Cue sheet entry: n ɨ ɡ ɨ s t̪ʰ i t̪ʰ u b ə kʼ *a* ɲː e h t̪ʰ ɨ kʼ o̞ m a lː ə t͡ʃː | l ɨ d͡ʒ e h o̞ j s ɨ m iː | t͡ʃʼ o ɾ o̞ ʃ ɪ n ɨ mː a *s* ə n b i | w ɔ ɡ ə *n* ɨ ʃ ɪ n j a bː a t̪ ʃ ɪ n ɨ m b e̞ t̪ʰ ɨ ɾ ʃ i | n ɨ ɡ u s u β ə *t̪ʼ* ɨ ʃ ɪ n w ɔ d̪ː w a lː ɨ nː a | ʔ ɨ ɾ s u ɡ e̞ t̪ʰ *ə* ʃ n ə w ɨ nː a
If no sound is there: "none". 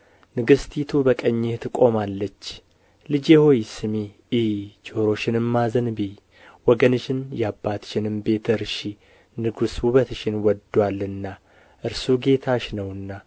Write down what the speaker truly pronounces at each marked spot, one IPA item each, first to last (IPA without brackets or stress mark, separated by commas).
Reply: ə, z, n, t̪, a